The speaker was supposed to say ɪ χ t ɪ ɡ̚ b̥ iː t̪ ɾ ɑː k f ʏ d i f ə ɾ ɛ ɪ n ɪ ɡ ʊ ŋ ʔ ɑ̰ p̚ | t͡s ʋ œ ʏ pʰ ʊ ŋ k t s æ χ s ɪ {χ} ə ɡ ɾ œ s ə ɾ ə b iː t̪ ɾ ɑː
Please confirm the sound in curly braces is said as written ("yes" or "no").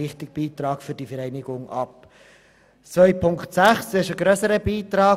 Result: no